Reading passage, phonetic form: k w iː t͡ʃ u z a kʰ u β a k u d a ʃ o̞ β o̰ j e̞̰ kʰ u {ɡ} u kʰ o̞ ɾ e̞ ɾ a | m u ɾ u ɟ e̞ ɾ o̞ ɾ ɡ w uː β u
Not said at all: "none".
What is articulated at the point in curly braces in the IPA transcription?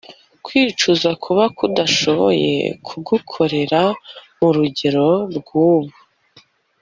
ɡ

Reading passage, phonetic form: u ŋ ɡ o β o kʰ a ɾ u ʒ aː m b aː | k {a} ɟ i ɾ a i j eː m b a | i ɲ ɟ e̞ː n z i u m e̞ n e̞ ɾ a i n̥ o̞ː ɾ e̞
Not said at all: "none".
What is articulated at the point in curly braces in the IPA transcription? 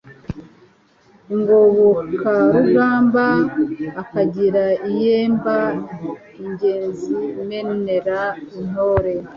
a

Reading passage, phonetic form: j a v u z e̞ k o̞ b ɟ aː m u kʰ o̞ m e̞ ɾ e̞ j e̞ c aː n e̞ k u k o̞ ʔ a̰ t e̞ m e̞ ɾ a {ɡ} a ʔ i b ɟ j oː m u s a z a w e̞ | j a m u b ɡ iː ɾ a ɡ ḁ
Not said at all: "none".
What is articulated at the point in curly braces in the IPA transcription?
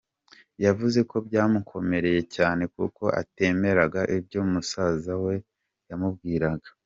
ɡ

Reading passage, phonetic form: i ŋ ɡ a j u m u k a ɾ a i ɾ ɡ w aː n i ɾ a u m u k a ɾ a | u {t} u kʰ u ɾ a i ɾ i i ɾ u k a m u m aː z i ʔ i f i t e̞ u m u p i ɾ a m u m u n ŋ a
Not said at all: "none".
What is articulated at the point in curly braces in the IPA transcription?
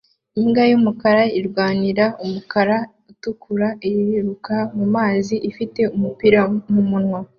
t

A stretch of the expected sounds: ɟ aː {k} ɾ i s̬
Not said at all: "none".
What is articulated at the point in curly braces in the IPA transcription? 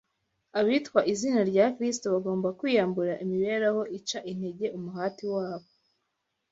k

